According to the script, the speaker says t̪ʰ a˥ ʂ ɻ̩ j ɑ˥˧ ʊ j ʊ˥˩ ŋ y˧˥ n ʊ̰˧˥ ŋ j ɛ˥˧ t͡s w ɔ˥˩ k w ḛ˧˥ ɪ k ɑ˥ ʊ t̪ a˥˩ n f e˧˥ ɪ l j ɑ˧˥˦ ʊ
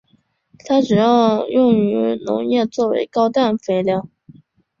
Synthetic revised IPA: t̪ʰ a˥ ʈ͡ʂ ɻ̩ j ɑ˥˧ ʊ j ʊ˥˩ ŋ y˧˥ n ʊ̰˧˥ ŋ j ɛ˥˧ t͡s w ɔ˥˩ w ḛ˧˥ ɪ k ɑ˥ ʊ t̪ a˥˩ n f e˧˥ ɪ l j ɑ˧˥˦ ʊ